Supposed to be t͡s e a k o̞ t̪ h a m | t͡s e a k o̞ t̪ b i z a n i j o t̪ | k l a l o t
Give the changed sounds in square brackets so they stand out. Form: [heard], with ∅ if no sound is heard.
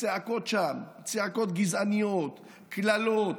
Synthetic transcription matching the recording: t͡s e a k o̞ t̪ [ʃ] a m | t͡s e a k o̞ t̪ [ɡ] i z a n i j o t̪ | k l a l o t